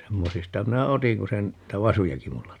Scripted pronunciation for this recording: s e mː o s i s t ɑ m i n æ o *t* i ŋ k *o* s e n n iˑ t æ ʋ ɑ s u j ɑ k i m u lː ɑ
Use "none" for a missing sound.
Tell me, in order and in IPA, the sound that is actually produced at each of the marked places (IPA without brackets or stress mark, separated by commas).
t, u